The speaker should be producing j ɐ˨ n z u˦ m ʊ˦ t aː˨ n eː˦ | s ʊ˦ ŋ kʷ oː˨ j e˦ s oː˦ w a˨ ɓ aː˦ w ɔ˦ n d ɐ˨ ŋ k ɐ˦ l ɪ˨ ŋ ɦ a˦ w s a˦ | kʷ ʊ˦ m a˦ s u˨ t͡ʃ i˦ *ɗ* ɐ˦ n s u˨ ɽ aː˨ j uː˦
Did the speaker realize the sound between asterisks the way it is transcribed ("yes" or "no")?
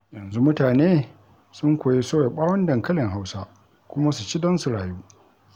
no